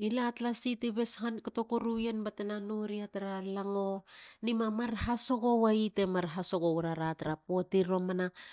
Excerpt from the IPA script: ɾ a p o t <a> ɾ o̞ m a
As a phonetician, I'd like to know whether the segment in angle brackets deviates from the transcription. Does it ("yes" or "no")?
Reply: yes